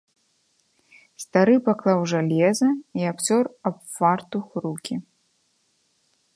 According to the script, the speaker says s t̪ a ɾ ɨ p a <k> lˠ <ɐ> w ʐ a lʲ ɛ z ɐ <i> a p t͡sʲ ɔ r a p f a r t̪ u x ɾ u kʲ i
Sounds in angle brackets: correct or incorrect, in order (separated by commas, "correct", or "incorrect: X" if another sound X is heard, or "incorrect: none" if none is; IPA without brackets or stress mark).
correct, incorrect: a, correct